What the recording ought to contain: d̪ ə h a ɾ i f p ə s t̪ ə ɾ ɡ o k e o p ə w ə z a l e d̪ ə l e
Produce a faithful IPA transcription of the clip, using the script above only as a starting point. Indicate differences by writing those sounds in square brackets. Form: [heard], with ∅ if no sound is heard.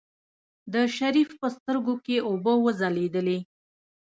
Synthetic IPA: d̪ ə [ʃ] a ɾ i f p ə s t̪ ə ɾ ɡ o k e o [b] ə w ə z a l e d̪ ə l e